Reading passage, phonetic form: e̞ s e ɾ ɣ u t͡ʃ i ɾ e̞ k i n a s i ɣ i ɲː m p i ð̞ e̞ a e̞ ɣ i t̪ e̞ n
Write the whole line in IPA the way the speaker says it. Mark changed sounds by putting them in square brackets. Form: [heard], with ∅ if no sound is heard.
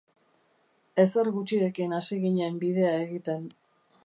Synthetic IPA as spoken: e̞ s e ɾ ɣ u t͡ʃ i ɾ e̞ k i n a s i ɣ i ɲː m [b] i ð̞ e̞ a e̞ ɣ i t̪ e̞ n